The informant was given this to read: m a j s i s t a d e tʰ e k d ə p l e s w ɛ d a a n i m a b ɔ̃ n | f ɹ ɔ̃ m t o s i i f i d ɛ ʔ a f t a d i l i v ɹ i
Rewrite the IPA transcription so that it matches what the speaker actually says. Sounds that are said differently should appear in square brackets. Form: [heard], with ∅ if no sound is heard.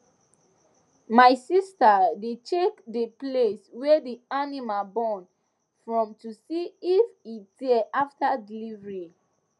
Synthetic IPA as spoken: m a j s i s t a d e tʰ e k d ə p l e s w ɛ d [i] a n i m a b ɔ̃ n | f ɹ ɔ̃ m t [u] s i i f i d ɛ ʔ a f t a d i l i v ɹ i